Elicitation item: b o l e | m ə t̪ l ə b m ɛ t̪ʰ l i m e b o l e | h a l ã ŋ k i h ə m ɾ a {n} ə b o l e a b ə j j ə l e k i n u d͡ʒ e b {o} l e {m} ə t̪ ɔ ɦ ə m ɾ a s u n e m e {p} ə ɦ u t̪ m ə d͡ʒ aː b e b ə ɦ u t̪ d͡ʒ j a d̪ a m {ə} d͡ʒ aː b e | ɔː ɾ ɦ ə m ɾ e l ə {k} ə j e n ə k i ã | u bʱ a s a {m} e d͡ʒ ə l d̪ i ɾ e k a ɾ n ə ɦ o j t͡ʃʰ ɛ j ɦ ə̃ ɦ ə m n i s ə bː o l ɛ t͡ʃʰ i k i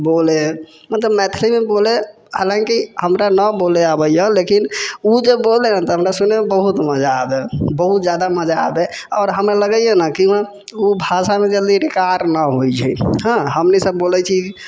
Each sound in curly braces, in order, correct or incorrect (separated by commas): correct, correct, incorrect, incorrect, correct, incorrect, correct